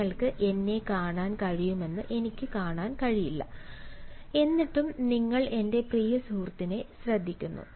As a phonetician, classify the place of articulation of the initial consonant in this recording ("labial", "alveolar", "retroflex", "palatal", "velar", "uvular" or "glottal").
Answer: retroflex